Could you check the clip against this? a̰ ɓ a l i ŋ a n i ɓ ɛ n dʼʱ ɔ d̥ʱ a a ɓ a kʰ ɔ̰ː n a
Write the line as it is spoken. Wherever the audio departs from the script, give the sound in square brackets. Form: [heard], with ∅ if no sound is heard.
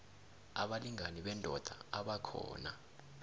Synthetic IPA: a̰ ɓ a l i ŋ a n i ɓ ɛ n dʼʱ ɔ d̥ʱ a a ɓ a kʰ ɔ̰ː n a